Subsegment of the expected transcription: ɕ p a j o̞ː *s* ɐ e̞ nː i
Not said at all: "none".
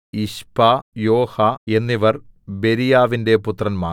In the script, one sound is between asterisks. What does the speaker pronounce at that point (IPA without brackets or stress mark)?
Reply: h